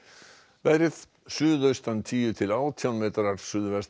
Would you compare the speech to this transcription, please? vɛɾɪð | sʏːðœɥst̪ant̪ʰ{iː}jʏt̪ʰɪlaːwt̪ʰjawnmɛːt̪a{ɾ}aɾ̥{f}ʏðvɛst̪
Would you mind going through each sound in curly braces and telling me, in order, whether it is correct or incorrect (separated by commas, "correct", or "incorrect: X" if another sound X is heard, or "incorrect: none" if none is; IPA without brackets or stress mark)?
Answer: correct, correct, incorrect: s